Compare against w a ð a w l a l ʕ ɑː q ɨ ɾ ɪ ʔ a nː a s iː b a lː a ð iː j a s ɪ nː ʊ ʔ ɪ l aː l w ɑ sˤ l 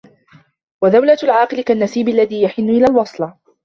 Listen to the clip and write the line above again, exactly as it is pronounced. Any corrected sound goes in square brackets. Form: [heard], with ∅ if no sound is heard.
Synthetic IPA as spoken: w a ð a w l a l ʕ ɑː q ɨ [l] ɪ [k] a nː a s iː b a lː a ð iː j a [ħ] ɪ nː ʊ ʔ ɪ l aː l w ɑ sˤ l